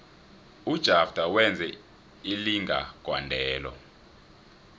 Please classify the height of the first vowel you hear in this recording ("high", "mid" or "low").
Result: high